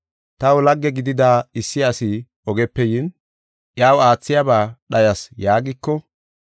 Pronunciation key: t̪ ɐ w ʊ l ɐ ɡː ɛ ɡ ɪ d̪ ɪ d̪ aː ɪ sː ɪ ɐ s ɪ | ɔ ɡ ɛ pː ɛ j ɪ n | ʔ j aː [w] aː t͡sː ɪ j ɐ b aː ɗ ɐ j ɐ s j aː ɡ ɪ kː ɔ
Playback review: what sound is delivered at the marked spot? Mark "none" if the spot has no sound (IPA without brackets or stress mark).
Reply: w